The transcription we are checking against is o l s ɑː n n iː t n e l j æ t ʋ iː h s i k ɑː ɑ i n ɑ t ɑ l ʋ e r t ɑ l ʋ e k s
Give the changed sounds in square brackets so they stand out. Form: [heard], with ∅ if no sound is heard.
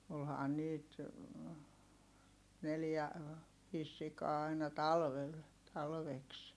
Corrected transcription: o l [h] ɑː n n iː t n e l j æ [∅] ʋ iː [s] s i k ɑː ɑ i n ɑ t ɑ l ʋ e [l] t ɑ l ʋ e k s